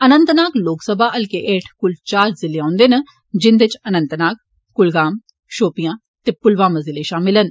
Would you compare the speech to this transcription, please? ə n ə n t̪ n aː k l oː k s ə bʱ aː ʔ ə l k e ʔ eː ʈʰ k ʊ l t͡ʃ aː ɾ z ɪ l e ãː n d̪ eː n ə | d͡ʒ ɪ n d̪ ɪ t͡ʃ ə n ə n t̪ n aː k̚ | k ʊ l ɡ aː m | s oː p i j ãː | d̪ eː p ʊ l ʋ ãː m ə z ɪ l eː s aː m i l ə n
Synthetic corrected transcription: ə n ə n t̪ n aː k l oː k s ə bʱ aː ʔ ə l k e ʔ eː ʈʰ k ʊ l t͡ʃ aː ɾ z ɪ l e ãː n d̪ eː n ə | d͡ʒ ɪ n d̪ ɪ t͡ʃ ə n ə n t̪ n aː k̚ | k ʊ l ɡ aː m | ʃ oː p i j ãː | t̪ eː p ʊ l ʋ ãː m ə z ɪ l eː ʃ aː m ɪ l ə n